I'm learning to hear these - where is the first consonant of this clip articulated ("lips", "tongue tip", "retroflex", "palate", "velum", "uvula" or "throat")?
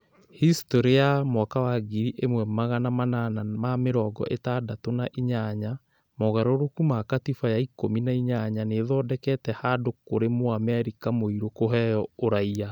throat